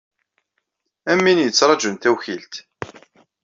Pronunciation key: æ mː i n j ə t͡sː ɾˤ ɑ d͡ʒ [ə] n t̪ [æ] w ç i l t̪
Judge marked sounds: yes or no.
yes, yes

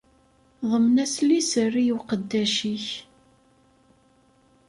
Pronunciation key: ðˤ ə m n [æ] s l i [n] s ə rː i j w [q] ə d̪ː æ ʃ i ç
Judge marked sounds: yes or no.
yes, no, yes

